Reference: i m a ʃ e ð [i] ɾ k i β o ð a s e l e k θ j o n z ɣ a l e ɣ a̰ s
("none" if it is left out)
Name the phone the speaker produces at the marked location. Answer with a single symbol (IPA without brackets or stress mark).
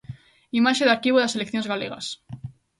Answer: a